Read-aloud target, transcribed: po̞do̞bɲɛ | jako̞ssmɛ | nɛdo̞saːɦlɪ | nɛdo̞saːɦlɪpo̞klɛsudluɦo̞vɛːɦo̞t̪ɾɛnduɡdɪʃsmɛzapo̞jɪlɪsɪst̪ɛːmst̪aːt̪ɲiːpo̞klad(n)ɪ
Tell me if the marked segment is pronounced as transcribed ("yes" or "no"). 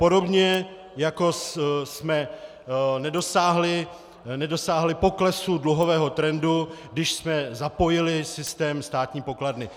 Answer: yes